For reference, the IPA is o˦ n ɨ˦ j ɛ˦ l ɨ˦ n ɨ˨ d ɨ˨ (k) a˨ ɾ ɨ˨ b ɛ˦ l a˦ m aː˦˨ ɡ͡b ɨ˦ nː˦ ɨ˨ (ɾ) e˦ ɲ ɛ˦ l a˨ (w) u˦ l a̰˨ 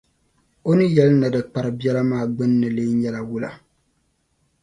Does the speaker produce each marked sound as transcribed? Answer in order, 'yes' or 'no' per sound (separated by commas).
no, no, yes